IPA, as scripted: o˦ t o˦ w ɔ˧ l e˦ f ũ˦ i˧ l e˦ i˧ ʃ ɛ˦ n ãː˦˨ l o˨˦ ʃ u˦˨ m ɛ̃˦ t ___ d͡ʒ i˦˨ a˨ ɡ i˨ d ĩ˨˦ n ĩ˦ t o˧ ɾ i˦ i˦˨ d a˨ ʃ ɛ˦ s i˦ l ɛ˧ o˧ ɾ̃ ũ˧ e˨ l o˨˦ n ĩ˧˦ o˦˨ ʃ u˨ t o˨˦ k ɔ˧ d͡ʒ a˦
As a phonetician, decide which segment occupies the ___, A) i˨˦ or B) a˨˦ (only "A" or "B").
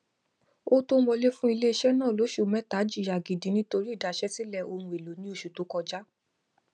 B